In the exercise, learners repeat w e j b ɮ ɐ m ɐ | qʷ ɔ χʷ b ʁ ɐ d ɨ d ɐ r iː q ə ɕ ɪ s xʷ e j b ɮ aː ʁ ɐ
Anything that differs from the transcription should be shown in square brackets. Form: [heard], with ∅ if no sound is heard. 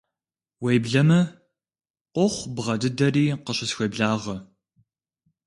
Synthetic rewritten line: w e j b ɮ ɐ m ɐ | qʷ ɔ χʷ b ʁ ɐ d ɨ d ɐ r iː q ə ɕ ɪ s xʷ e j b ɮ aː ʁ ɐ